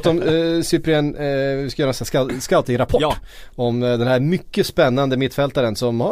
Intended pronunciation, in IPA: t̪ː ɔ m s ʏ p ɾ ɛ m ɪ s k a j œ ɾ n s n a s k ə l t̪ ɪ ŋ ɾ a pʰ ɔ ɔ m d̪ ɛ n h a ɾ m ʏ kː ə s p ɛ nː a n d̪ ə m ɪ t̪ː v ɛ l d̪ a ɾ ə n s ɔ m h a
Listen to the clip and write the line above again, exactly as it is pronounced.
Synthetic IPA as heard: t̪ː ɔ m s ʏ p ɾ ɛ n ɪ s k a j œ ɾ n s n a s k a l t̪ ɪ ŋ ɾ a pʰ ɔ ɔ m d̪ ɛ n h æ ɾ m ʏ kː ə s p ɛ nː a n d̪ ə m ɪ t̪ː f ɛ l t̪ a ɾ ə n s ɔ m h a